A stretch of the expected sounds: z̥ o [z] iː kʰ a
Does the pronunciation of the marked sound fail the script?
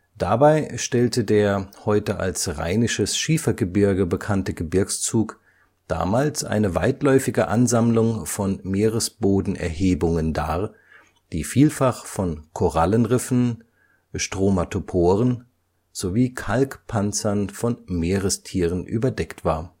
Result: yes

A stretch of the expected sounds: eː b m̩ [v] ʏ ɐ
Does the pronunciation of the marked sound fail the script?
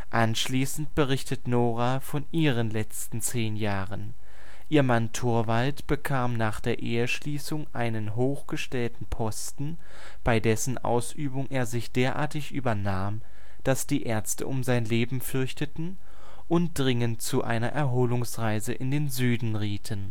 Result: yes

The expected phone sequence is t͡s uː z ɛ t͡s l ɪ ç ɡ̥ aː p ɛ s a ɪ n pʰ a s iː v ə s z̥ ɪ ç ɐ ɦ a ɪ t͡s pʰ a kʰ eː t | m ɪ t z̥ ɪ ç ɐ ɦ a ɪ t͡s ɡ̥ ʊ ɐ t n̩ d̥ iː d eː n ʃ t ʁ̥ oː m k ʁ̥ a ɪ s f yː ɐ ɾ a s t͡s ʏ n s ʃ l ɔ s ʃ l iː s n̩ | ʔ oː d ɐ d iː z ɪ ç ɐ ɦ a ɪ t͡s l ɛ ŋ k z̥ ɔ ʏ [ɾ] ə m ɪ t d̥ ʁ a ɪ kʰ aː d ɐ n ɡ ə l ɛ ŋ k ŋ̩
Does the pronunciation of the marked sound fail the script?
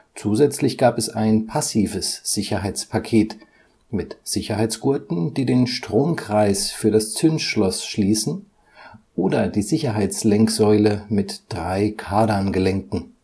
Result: yes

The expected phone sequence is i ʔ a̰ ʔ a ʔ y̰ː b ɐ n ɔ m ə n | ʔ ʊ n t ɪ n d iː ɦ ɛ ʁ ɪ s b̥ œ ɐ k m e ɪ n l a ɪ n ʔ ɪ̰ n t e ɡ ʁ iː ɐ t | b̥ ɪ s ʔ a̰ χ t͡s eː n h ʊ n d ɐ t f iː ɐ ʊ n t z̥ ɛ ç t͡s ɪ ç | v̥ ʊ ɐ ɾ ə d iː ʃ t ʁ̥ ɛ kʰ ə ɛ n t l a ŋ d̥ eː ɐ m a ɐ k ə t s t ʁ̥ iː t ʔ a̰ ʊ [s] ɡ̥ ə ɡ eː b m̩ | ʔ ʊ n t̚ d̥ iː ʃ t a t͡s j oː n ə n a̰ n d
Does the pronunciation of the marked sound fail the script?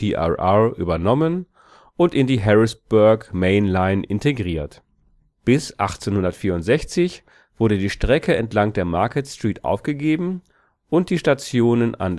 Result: yes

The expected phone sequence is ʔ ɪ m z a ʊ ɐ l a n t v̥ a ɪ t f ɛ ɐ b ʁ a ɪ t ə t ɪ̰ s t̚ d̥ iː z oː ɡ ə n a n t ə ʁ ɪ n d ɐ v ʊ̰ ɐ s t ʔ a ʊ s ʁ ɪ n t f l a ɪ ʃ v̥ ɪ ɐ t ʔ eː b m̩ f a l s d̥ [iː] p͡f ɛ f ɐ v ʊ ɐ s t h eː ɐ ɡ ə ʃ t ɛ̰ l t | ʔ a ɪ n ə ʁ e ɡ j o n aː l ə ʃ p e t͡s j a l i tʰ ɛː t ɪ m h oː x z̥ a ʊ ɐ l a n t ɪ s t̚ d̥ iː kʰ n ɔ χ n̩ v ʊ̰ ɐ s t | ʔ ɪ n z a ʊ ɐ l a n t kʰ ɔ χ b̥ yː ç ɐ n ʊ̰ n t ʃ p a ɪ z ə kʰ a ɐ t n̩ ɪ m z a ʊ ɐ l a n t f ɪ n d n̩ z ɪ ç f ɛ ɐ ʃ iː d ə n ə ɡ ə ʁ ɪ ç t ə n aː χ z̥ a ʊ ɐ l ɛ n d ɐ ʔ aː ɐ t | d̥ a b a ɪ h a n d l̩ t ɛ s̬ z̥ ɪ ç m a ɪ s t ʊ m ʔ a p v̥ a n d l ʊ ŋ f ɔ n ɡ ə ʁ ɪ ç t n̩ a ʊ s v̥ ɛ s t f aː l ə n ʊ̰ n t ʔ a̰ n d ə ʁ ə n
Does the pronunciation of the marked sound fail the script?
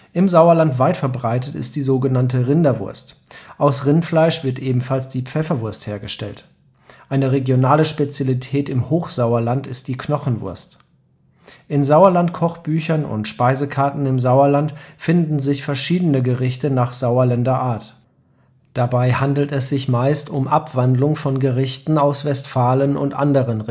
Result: no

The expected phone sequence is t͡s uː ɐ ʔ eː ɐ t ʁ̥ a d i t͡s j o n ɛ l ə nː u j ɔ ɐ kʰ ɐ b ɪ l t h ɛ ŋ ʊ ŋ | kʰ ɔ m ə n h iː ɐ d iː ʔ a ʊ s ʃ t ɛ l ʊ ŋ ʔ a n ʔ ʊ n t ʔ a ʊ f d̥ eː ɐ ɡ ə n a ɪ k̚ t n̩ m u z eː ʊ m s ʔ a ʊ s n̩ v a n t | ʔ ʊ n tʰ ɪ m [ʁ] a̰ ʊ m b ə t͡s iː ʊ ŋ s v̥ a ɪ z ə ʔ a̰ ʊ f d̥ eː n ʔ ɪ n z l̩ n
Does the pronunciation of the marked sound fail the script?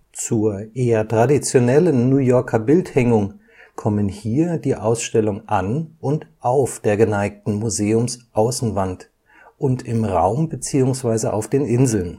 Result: no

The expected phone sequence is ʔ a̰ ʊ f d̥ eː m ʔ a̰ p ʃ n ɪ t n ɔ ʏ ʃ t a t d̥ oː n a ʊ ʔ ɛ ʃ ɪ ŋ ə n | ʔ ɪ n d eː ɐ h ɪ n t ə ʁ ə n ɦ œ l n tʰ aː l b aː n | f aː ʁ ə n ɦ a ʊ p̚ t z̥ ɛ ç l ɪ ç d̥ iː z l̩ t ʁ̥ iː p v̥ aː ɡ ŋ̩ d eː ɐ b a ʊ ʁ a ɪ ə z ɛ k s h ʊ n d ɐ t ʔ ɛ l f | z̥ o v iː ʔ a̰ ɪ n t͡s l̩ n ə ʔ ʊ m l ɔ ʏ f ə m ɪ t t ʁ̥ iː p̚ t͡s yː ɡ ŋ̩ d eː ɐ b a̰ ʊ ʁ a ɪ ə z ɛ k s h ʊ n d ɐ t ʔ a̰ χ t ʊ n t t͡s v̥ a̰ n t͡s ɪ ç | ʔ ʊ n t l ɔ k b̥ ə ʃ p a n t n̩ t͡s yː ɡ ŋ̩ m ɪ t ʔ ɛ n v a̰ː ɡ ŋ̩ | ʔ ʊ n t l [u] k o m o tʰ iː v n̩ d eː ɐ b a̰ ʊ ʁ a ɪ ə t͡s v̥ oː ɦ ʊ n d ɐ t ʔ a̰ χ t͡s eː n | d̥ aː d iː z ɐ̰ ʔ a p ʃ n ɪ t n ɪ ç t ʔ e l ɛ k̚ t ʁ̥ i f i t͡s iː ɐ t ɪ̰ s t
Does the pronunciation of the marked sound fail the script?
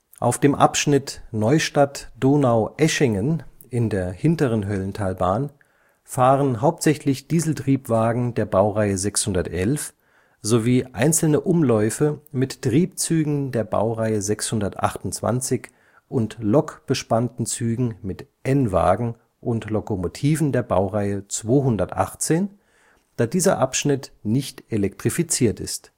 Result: yes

